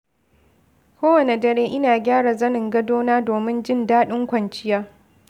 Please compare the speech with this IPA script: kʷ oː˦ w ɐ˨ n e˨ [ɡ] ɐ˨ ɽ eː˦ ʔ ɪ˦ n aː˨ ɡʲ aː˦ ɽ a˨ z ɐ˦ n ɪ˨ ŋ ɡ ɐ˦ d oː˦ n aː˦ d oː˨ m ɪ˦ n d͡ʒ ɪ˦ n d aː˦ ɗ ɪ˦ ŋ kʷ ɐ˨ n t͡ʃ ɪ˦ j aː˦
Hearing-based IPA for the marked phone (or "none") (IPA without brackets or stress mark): d